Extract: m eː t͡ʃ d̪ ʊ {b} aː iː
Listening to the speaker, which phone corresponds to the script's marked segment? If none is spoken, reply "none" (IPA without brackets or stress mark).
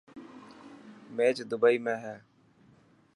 b